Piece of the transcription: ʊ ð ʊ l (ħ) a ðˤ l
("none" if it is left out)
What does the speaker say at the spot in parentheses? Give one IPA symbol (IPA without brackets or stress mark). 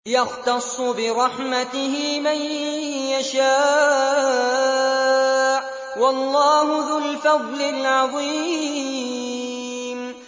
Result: f